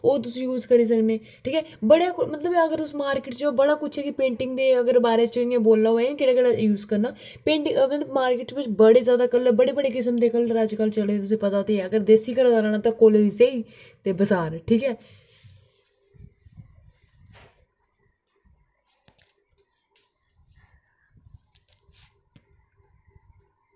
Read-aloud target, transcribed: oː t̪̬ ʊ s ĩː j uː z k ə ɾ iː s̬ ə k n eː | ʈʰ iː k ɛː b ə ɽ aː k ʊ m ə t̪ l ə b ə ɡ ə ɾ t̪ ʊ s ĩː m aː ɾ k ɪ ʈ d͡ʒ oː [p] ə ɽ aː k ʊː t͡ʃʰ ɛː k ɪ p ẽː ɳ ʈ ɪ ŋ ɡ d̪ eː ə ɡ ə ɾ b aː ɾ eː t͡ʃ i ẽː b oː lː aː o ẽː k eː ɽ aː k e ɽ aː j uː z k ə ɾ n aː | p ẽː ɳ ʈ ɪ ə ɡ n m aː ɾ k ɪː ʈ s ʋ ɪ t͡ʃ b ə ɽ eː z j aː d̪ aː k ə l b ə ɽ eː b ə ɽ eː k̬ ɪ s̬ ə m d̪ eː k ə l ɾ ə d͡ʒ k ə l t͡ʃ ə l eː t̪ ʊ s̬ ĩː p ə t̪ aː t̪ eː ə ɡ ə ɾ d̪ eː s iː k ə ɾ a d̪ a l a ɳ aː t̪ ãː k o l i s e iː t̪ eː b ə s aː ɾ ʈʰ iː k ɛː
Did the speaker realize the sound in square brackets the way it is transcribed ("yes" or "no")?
no